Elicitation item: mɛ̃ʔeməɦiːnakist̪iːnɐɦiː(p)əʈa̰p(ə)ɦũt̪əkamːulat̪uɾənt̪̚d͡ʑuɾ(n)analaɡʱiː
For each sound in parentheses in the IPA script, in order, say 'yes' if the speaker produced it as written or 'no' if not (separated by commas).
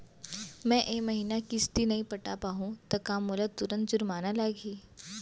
yes, no, no